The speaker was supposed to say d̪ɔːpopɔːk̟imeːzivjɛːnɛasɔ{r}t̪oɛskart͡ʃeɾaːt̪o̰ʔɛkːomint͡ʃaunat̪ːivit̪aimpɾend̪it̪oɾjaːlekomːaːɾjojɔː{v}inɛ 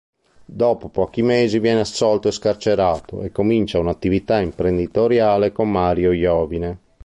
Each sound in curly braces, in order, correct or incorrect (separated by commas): incorrect, correct